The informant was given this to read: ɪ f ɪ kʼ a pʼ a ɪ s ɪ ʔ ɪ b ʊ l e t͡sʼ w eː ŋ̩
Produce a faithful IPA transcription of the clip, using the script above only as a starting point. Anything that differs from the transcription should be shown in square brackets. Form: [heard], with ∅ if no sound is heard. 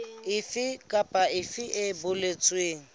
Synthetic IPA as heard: ɪ f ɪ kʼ a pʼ a ɪ [f] ɪ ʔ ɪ b ʊ l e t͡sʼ w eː ŋ̩